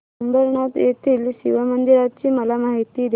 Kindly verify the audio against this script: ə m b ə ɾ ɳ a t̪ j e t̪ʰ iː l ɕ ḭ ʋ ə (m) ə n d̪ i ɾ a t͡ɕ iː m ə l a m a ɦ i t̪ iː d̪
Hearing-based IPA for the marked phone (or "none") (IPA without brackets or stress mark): m